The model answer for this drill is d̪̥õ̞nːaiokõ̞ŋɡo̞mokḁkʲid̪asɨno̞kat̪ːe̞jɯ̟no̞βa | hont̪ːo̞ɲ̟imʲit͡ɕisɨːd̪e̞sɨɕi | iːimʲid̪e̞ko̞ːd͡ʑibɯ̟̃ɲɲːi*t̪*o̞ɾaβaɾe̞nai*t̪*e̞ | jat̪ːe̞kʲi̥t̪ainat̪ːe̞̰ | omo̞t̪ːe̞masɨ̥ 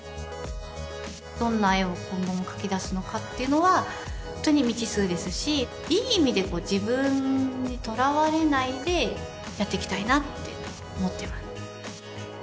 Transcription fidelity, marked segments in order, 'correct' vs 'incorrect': correct, incorrect

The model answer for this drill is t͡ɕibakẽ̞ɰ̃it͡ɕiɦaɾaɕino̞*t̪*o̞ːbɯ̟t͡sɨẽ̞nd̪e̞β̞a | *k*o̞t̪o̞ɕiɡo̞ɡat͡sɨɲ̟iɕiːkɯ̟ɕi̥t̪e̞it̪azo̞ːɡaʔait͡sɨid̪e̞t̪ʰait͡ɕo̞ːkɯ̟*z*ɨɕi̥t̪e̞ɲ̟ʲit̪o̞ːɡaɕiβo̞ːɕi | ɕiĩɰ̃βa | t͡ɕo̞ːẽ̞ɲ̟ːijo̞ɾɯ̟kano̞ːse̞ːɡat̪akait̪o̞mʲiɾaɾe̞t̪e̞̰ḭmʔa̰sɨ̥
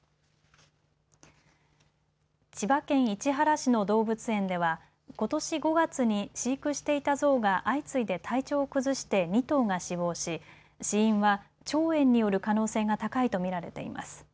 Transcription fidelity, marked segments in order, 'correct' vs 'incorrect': incorrect, correct, correct

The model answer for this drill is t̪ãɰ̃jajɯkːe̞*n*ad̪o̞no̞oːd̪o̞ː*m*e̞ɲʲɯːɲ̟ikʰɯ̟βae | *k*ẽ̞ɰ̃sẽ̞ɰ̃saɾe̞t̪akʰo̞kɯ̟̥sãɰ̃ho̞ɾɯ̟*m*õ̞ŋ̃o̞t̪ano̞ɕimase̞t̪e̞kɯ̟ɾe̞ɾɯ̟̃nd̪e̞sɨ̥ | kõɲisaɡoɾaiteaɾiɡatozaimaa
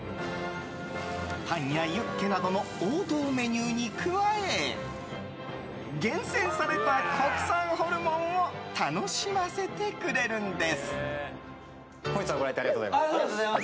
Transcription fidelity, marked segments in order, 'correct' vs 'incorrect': correct, correct, incorrect, correct

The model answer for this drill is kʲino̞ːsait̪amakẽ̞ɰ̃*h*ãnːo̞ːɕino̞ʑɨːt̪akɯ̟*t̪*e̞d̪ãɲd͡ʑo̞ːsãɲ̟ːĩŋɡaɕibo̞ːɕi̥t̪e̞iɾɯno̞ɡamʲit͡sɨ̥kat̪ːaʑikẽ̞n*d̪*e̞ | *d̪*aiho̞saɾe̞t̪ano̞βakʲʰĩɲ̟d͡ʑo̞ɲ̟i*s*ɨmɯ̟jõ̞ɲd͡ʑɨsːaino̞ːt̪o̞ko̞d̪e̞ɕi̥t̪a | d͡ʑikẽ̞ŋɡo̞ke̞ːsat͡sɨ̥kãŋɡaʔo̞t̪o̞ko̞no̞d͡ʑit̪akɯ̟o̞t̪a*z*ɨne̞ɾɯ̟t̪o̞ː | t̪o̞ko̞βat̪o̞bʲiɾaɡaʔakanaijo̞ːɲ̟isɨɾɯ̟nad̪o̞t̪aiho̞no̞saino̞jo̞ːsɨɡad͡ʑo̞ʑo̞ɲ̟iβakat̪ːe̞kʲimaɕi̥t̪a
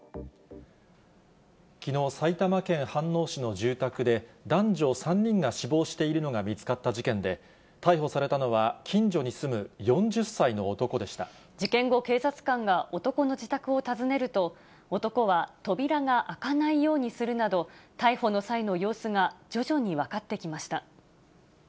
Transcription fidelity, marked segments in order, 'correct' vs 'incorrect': correct, incorrect, correct, incorrect, correct, correct

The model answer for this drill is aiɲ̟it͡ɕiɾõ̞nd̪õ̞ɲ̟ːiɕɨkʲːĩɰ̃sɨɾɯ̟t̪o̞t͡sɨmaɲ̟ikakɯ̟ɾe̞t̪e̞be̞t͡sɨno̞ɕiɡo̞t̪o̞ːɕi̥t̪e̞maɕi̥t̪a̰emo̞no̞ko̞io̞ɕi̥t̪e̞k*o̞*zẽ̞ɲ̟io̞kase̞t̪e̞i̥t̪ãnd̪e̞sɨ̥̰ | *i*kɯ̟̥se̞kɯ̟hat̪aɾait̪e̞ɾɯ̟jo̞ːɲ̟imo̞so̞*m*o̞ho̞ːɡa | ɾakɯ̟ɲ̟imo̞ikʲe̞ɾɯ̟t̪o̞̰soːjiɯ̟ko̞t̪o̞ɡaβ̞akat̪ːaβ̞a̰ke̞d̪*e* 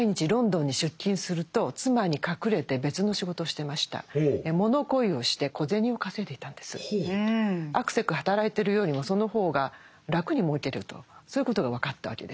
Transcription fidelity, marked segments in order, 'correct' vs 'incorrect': correct, incorrect, incorrect, correct

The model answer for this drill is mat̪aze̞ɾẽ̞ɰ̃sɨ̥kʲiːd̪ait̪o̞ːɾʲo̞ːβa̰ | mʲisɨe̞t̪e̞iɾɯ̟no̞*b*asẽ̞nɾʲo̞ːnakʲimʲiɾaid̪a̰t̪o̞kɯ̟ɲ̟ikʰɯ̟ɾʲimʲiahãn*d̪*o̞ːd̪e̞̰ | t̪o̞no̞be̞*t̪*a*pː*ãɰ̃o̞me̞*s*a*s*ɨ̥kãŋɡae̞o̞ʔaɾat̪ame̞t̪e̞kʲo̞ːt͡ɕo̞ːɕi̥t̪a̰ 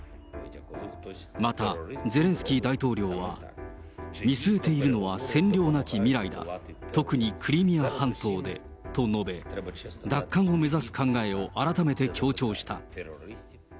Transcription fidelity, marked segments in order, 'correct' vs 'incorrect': incorrect, incorrect, incorrect, incorrect, incorrect, correct

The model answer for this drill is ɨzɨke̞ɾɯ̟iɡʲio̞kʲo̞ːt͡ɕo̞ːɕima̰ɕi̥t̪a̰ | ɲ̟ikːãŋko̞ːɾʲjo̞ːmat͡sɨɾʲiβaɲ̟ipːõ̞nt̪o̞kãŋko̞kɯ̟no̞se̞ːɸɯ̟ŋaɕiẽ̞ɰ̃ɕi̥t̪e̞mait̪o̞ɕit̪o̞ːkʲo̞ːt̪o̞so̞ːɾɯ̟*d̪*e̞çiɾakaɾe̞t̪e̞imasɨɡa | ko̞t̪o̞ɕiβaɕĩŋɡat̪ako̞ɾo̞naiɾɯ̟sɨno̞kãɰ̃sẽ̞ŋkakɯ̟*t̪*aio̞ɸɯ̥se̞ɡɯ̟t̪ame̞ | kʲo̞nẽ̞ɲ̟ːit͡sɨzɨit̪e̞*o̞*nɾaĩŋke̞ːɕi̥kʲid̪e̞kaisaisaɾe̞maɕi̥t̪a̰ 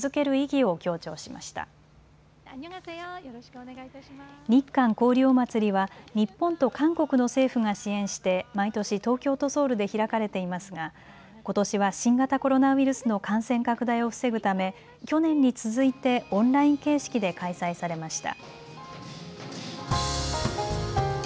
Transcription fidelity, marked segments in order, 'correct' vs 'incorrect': correct, incorrect, incorrect

